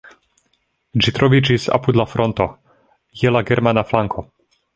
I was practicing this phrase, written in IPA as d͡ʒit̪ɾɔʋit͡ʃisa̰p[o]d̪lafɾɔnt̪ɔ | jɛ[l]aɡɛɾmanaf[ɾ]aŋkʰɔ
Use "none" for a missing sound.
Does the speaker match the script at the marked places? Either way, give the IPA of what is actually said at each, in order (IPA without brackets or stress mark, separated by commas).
u, l, l